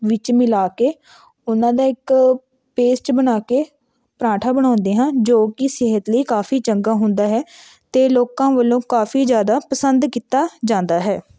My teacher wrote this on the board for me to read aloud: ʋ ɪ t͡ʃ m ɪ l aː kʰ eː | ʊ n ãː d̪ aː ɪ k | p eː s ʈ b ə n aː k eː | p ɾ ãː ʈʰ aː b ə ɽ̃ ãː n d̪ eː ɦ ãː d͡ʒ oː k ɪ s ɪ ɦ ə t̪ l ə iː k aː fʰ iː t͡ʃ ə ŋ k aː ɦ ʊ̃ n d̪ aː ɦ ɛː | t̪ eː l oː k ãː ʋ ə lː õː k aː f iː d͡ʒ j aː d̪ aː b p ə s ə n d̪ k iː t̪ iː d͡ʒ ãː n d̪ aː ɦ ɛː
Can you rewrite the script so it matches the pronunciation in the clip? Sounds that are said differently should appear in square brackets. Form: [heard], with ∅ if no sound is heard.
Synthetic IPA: ʋ ɪ t͡ʃ m ɪ l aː [k] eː | ʊ n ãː d̪ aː ɪ k | p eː s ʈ b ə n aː k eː | p ɾ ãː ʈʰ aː b ə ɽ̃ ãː n d̪ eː ɦ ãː d͡ʒ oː k ɪ s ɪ ɦ ə t̪ l ə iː k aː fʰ iː t͡ʃ ə ŋ [ɡ] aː ɦ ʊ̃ n d̪ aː ɦ ɛː | t̪ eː l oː k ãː ʋ ə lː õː k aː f iː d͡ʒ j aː d̪ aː [∅] p ə s ə n d̪ k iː t̪ [aː] d͡ʒ ãː n d̪ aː ɦ ɛː